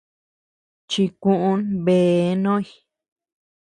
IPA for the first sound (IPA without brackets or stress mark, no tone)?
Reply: t͡ʃ